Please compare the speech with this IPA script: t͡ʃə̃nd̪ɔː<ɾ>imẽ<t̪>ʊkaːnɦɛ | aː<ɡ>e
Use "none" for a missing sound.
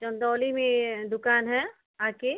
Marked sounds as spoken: l, d̪, k

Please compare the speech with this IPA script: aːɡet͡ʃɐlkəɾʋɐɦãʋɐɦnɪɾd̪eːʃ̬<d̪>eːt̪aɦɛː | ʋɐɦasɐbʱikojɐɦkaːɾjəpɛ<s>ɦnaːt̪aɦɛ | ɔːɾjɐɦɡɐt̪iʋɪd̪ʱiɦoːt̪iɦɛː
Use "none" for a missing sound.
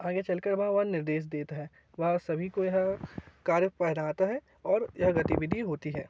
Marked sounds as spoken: d̪, none

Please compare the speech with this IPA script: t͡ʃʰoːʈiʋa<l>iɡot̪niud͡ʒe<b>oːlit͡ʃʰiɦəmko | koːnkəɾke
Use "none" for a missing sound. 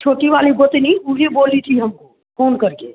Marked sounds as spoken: l, b

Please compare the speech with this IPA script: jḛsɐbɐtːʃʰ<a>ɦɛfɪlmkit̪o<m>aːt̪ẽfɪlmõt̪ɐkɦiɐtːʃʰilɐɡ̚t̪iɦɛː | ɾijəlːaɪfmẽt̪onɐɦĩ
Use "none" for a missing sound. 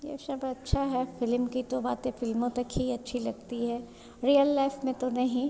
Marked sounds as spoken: a, b

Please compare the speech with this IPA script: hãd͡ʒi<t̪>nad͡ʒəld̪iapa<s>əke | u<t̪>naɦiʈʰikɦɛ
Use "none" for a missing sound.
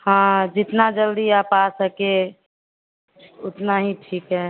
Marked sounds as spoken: t̪, s, t̪

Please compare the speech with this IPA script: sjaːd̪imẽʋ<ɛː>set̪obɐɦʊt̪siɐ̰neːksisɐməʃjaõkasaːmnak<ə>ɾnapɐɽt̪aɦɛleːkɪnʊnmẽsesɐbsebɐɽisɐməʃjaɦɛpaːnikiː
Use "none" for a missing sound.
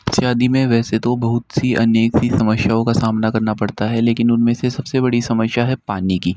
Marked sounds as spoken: ɛː, ɐ

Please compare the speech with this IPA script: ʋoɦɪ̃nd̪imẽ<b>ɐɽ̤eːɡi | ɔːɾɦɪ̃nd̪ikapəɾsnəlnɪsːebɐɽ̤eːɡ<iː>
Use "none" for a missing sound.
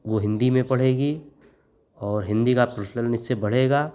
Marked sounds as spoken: p, aː

